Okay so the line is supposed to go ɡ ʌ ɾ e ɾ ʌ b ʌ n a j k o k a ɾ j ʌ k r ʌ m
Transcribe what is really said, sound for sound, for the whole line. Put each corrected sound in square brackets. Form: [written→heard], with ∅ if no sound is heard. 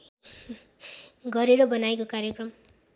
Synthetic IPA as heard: ɡ ʌ ɾ e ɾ ʌ b ʌ n a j k o k a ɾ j ʌ k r ʌ m